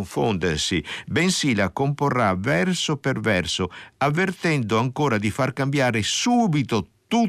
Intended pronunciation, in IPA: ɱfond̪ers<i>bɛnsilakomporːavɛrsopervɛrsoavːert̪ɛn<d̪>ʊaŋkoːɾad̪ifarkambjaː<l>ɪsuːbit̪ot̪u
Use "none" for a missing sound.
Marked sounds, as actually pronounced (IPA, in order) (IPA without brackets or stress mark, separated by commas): i, d̪, ɾ